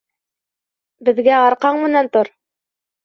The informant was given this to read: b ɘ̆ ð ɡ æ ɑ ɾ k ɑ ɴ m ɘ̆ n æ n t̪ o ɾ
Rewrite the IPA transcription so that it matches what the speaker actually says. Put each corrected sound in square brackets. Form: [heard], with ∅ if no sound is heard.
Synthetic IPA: b ɘ̆ ð ɡ æ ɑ ɾ [q] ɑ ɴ m ɘ̆ n æ n t̪ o ɾ

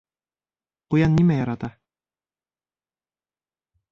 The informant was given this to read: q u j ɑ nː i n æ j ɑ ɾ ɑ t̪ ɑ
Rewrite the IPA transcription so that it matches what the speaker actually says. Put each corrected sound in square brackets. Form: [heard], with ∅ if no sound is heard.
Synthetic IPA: q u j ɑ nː i [m] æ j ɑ ɾ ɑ t̪ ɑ

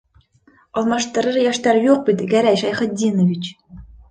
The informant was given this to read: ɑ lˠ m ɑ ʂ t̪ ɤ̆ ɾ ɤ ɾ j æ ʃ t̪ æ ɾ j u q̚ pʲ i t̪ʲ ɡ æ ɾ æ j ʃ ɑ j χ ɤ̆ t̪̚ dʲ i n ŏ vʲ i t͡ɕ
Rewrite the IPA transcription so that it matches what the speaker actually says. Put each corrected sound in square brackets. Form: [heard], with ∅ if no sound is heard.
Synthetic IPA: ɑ lˠ m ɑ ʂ t̪ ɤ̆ ɾ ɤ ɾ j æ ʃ t̪ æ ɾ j u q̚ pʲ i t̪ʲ ɡ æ ɾ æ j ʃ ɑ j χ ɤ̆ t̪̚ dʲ i n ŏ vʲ i t͡ɕ

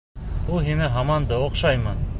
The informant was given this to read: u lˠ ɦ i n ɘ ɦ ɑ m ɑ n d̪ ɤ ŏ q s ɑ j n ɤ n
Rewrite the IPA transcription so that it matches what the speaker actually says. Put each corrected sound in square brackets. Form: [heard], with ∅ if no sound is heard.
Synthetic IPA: u lˠ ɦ i n ɘ ɦ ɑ m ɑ n d̪ ɤ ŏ q [ʃ] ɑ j [m] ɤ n

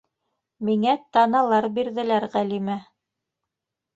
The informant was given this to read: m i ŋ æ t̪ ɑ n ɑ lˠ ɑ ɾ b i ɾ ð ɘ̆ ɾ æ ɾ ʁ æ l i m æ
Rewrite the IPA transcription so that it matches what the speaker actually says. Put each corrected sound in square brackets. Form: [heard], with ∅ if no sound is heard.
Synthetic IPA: m i ŋ æ t̪ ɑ n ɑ lˠ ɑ ɾ b i ɾ ð ɘ̆ [l] æ ɾ ʁ æ l i m æ

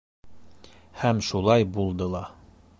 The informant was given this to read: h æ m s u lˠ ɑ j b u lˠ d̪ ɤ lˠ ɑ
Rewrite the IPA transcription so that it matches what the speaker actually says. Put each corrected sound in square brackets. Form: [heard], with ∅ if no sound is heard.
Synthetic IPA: h æ m [ʃ] u lˠ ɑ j b u lˠ d̪ ɤ lˠ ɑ

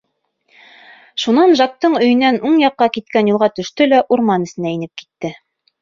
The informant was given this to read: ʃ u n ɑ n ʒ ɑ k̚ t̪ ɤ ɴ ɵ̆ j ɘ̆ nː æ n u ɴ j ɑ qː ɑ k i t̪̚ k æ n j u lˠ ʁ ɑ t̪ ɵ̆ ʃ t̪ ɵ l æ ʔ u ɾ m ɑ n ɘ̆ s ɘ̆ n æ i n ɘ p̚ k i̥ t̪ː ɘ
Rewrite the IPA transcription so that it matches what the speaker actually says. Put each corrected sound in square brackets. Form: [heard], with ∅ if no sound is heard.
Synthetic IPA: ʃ u n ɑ n ʒ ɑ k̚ t̪ ɤ ɴ ɵ̆ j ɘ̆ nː æ n u ɴ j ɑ qː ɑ k i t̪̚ k æ n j u lˠ ʁ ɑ t̪ ɵ̆ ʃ t̪ ɵ l æ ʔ u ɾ m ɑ n ɘ̆ s ɘ̆ n æ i n ɘ p̚ k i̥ t̪ː ɘ

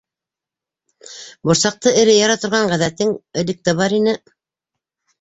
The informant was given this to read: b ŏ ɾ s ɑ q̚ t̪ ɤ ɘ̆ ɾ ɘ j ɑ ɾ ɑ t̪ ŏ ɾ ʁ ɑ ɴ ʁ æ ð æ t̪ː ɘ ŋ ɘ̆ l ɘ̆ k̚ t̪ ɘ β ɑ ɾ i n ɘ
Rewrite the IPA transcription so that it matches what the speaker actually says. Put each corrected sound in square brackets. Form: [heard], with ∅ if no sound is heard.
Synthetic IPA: b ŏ ɾ s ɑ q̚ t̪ ɤ ɘ̆ ɾ ɘ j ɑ ɾ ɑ t̪ ŏ ɾ ʁ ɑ ɴ ʁ æ ð æ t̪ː ɘ ŋ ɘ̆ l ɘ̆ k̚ t̪ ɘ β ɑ ɾ i n ɘ

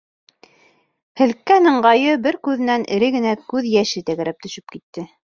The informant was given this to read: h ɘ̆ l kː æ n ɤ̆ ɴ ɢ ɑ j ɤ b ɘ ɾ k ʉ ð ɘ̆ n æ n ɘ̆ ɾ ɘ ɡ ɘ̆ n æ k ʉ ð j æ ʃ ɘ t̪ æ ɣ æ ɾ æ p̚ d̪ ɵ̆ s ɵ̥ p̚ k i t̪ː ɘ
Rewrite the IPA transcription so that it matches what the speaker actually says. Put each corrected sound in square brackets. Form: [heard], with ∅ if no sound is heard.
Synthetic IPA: h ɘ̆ l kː æ n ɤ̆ ɴ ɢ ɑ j ɤ b ɘ ɾ k ʉ ð ɘ̆ n æ n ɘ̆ ɾ ɘ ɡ ɘ̆ n æ k ʉ ð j æ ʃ ɘ t̪ æ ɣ æ ɾ æ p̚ [t̪] ɵ̆ [ʃ] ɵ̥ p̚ k i t̪ː ɘ

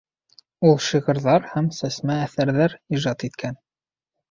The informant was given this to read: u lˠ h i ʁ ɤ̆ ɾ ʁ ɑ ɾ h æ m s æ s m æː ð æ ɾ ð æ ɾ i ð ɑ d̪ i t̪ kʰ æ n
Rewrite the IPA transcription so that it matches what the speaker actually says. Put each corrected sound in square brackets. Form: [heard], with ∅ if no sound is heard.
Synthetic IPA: u lˠ [ʃ] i ʁ ɤ̆ ɾ [ð] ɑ ɾ h æ m s æ s m æː [θ] æ ɾ ð æ ɾ i [ʒ] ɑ [t̪] i t̪ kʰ æ n

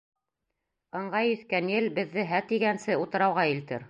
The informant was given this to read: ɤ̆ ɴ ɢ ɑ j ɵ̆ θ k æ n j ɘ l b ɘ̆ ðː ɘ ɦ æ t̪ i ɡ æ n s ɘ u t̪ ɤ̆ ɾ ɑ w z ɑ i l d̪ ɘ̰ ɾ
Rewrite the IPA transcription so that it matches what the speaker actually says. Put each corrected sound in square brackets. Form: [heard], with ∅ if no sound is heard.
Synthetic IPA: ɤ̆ ɴ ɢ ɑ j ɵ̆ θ k æ n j ɘ l b ɘ̆ ðː ɘ ɦ æ t̪ i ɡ æ n s ɘ u t̪ ɤ̆ ɾ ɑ w [ʁ] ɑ i l [t̪] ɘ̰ ɾ

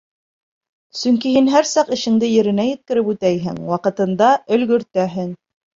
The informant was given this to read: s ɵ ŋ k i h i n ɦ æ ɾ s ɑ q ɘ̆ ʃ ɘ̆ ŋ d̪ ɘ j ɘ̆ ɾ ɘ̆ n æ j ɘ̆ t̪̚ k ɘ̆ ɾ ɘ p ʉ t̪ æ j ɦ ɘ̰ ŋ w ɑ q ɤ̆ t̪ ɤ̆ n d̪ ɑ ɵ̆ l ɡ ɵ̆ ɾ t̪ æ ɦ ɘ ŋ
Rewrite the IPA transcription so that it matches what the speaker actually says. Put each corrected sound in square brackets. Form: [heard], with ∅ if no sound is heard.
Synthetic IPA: s ɵ ŋ k i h i n ɦ æ ɾ s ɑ q ɘ̆ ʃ ɘ̆ ŋ d̪ ɘ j ɘ̆ ɾ ɘ̆ n æ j ɘ̆ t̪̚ k ɘ̆ ɾ ɘ p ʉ t̪ æ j ɦ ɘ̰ ŋ w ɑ q ɤ̆ t̪ ɤ̆ n d̪ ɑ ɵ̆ l ɡ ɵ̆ ɾ t̪ æ ɦ ɘ ŋ

